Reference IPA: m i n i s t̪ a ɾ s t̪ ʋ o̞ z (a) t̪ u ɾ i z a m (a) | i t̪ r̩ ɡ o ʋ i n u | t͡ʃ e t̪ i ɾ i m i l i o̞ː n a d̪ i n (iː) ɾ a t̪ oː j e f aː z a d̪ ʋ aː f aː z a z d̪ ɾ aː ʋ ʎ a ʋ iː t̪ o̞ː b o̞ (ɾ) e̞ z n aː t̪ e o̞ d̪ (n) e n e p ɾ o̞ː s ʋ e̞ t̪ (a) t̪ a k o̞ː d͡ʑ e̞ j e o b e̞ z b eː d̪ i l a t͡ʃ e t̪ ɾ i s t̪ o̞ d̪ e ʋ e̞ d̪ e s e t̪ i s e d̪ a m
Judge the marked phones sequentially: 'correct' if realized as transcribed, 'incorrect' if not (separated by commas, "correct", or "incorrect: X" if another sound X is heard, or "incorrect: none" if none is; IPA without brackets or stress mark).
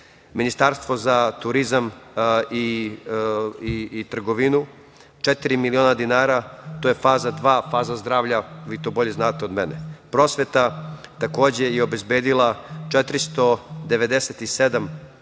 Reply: correct, incorrect: i, incorrect: aː, incorrect: ʎ, incorrect: m, correct